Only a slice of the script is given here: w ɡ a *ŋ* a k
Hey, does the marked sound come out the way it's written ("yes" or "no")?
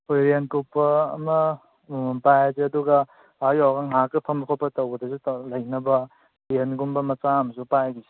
yes